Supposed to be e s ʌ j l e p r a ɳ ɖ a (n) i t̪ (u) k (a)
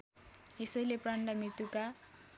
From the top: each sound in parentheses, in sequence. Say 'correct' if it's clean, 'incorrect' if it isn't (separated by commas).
incorrect, correct, correct